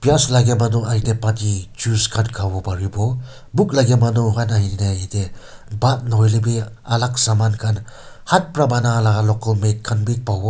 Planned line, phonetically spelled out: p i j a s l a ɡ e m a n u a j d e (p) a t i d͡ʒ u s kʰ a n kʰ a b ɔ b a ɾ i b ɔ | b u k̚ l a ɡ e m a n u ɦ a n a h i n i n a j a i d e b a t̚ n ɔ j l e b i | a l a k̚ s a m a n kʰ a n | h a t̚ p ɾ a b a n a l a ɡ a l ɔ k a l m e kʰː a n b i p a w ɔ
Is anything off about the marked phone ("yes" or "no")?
no